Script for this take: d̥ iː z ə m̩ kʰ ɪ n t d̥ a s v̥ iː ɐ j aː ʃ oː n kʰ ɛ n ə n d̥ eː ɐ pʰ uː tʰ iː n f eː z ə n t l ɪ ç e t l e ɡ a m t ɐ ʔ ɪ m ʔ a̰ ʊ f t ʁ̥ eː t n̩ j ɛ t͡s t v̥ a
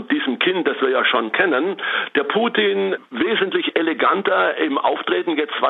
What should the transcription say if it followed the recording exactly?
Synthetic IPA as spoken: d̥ iː z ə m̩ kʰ ɪ n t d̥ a s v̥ iː ɐ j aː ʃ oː n kʰ ɛ n ə n d̥ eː ɐ pʰ uː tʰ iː n v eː z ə n t l ɪ ç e l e ɡ a n t ɐ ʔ ɪ m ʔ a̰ ʊ f t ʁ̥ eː t n̩ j ɛ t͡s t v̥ a